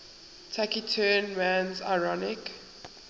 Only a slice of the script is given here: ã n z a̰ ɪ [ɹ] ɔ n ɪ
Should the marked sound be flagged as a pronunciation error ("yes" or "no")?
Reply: no